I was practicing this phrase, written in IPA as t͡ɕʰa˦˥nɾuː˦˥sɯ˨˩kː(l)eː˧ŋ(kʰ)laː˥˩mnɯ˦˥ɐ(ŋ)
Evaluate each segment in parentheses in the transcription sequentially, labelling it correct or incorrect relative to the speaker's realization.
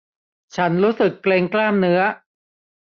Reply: correct, incorrect: k, incorrect: none

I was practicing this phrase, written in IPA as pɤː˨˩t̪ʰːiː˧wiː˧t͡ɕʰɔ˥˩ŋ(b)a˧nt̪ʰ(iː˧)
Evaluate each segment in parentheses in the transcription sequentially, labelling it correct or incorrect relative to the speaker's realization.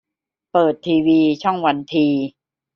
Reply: incorrect: w, correct

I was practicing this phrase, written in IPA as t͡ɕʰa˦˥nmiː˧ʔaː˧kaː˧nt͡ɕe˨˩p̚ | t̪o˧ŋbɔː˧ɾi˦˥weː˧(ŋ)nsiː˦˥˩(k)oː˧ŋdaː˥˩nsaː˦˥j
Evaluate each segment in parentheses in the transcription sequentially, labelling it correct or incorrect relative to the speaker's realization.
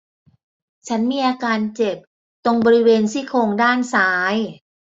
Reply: incorrect: none, incorrect: kʰ

